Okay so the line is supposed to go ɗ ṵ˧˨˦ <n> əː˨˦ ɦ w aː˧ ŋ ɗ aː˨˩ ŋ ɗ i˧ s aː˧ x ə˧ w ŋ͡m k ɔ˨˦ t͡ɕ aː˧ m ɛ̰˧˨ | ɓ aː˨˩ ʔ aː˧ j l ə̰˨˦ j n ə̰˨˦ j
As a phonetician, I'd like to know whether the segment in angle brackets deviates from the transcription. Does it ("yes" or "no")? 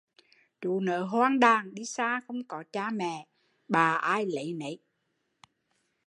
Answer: no